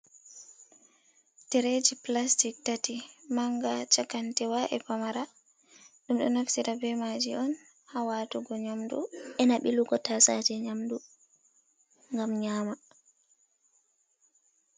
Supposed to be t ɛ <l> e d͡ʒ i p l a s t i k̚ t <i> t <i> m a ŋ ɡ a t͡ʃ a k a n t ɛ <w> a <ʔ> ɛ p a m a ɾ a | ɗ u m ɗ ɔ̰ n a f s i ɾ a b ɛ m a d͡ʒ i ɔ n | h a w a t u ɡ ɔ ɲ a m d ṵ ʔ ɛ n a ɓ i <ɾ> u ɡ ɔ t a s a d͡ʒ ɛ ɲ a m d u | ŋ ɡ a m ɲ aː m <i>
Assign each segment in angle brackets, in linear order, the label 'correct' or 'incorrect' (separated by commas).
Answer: incorrect, incorrect, correct, correct, correct, incorrect, incorrect